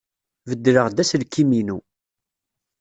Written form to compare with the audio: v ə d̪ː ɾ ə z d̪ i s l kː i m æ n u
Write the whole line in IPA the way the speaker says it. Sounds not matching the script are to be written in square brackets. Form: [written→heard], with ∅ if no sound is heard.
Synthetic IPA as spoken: v ə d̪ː ɾ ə [z→ʁ] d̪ [i→æ] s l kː i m [æ→i] n u